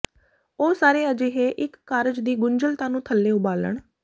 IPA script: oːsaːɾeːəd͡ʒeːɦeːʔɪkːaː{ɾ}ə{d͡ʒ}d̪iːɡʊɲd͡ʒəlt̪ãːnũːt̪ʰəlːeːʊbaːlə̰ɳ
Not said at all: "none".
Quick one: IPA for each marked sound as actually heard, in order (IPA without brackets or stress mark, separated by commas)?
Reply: ɾ, d͡ʒ